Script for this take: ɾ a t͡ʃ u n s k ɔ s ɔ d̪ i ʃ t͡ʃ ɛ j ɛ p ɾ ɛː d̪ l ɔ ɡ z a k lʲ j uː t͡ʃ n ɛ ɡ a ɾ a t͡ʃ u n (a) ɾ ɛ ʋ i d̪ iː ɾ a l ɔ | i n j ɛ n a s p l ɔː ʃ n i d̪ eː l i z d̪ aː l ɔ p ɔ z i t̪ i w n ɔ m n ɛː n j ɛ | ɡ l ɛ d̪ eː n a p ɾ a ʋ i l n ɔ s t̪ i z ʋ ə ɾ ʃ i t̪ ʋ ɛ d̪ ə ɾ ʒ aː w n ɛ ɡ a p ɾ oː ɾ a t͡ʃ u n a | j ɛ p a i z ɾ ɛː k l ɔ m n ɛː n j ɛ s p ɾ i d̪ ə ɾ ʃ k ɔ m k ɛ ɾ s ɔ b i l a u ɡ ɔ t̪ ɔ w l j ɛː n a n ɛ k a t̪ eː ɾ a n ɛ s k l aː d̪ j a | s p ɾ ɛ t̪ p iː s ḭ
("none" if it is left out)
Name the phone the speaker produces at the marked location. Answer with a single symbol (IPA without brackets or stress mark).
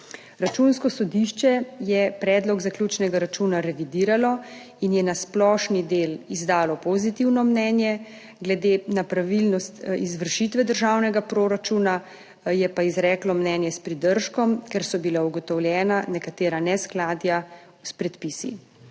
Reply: a